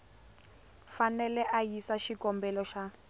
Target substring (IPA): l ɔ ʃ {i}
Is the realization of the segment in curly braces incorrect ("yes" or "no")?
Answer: yes